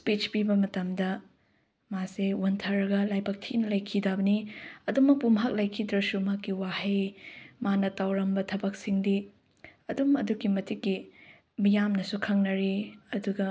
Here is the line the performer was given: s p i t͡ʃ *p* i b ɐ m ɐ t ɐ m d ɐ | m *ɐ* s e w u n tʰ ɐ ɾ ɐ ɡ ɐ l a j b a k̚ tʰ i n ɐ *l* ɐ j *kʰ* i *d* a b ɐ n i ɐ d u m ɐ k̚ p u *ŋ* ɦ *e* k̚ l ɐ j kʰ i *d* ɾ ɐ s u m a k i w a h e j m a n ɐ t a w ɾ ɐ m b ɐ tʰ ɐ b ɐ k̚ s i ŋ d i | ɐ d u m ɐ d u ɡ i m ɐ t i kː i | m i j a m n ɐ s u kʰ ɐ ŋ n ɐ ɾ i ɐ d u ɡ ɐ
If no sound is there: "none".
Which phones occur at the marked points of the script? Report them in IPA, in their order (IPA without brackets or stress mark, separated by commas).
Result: p, a, l, kʰ, d, m, a, d